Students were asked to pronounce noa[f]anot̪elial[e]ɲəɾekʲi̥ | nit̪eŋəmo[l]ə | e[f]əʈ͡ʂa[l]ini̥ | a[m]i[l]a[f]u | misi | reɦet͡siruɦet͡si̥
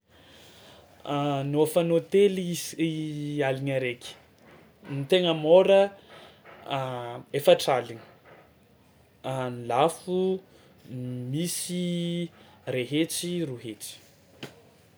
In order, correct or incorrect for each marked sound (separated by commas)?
correct, incorrect, incorrect, correct, correct, incorrect, correct, correct